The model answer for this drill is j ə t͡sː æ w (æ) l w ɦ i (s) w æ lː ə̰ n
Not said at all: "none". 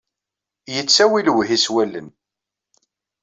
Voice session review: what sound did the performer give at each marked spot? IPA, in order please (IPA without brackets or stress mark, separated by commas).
i, s